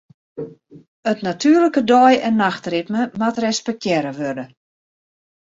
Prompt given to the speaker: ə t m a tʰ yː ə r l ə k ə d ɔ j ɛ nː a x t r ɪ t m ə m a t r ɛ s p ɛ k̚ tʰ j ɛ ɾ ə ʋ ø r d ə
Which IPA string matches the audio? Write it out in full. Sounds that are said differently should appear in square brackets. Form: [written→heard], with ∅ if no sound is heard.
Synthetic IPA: ə t [m→n] a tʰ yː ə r l ə k ə d ɔ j ɛ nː a x t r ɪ t m ə m a t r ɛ s p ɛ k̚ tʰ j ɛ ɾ ə ʋ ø r d ə

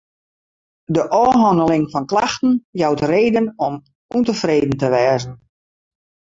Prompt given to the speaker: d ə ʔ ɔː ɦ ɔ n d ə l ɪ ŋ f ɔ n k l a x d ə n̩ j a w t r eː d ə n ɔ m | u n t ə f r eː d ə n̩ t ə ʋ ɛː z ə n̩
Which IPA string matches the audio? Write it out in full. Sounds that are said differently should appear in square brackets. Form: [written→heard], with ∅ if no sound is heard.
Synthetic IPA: d ə ʔ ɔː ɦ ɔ n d ə l ɪ ŋ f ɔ n k l a x [d→t] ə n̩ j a w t r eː d ə n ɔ m | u n t ə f r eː d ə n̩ t ə ʋ ɛː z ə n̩

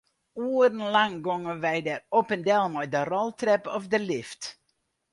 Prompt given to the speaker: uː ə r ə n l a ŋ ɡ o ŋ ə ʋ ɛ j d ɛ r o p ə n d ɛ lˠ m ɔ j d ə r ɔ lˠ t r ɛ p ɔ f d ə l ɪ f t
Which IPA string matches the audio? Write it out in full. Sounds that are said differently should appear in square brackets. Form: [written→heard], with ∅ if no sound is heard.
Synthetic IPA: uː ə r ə n l a ŋ ɡ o ŋ ə ʋ ɛ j d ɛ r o p ə n d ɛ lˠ m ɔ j d ə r ɔ lˠ t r ɛ p ɔ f d ə l ɪ f t

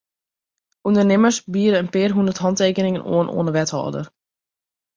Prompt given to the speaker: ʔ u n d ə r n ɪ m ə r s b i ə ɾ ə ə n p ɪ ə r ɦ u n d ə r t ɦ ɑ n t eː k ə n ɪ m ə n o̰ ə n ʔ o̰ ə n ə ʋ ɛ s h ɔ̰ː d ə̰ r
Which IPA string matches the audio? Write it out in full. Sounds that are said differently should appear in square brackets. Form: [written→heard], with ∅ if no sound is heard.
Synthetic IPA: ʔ u n d ə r n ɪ m ə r s b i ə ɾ ə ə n p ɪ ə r ɦ u n d ə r t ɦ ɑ n t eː k ə n ɪ [m→ŋ] ə n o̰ ə n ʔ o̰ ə n ə ʋ ɛ [s→t] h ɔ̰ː d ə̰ r

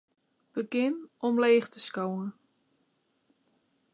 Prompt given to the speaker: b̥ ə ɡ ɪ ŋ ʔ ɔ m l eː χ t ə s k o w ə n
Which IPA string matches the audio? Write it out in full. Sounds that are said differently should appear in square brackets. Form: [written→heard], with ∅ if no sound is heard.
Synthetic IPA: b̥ ə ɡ ɪ [ŋ→n] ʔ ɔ m l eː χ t ə s k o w ə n

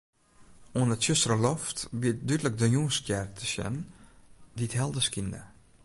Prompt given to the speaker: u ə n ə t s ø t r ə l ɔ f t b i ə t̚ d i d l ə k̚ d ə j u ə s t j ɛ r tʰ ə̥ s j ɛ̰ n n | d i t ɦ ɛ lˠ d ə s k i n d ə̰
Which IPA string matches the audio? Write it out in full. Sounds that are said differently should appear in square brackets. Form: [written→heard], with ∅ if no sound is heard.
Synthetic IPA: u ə n ə t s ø [t→s] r ə l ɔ f t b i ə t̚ d [i→y] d l ə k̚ d ə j u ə s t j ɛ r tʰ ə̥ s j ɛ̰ n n | d i t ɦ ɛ lˠ d ə s k i n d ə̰

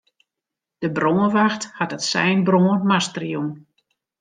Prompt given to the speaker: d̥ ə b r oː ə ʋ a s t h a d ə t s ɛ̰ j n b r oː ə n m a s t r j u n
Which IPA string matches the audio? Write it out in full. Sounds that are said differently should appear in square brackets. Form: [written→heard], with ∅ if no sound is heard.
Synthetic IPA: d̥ ə b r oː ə ʋ a [s→x] t h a [d→t] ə t s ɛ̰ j n b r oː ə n m a s t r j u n

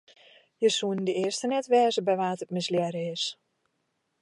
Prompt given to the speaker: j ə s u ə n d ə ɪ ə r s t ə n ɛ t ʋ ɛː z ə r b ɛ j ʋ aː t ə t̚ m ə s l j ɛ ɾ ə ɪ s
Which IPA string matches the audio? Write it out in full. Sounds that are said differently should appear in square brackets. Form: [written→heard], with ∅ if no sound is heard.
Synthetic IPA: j ə s u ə n d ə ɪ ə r s t ə n ɛ t ʋ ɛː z ə [r→∅] b ɛ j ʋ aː t ə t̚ m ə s l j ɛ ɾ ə ɪ s

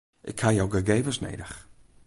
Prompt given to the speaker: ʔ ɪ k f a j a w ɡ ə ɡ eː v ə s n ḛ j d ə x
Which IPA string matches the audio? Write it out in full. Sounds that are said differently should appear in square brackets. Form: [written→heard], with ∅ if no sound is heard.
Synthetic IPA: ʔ ɪ k [f→h] a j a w ɡ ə ɡ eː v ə s n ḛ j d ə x

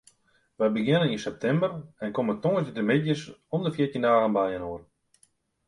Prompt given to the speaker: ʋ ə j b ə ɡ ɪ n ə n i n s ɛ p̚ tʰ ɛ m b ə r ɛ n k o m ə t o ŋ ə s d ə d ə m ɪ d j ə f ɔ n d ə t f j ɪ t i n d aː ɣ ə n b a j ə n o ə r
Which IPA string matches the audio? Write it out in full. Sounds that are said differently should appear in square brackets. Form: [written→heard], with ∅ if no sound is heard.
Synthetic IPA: ʋ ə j b ə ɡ ɪ n ə n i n s ɛ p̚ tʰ ɛ m b ə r ɛ n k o m ə t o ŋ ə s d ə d ə m ɪ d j ə [f→s] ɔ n d ə [t→∅] f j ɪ t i n d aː ɣ ə n b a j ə n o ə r

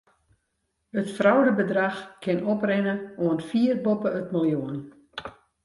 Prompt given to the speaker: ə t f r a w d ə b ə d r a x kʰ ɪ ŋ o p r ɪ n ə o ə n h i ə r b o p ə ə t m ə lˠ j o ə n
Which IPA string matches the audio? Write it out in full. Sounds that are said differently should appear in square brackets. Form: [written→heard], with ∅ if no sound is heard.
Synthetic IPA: ə t f r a w d ə b ə d r a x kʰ ɪ [ŋ→n] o p r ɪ n ə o ə n [h→f] i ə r b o p ə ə t m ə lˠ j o ə n

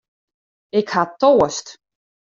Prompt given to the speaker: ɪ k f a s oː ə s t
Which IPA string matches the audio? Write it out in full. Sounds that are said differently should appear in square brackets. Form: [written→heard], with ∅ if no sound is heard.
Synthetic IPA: ɪ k [f→h] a [s→t] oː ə s t

